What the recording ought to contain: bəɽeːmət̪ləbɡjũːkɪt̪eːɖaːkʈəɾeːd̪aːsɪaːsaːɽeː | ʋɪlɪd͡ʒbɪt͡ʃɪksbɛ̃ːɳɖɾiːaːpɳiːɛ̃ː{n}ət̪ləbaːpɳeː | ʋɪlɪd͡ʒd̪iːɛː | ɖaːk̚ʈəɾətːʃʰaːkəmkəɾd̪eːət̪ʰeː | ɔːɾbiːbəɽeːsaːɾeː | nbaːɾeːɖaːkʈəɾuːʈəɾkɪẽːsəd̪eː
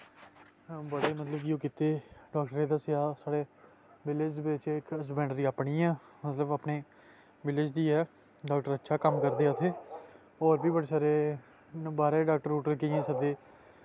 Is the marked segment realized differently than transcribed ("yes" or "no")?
yes